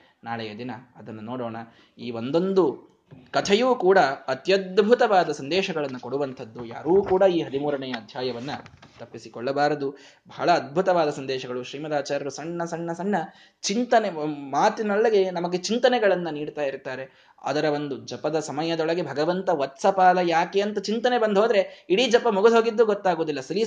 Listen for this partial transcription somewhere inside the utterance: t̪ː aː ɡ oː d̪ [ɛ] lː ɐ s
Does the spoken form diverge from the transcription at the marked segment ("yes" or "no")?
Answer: yes